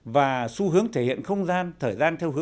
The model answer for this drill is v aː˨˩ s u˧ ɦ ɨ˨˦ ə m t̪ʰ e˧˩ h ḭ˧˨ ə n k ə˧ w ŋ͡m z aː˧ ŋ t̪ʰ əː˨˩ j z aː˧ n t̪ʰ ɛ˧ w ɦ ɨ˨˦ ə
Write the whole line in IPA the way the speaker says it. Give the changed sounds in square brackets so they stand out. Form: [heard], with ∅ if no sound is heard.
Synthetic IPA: v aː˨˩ s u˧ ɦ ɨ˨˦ ə [ŋ] t̪ʰ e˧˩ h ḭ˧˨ ə n [x] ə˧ w ŋ͡m z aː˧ [n] t̪ʰ əː˨˩ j z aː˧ n t̪ʰ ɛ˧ w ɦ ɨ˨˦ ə